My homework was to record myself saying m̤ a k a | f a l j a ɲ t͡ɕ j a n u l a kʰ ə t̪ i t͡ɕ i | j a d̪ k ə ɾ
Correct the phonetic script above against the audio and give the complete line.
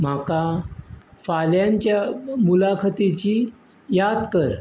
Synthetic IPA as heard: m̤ a k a | f a l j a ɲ t͡ɕ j a m u l a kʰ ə t̪ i t͡ɕ i | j a d̪ k ə ɾ